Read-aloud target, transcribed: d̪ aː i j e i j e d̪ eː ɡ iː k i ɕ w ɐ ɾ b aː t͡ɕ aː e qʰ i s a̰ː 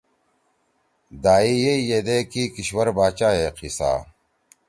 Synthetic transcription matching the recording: d̪ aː i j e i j e d̪ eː k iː k i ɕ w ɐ ɾ b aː t͡ɕ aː e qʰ i s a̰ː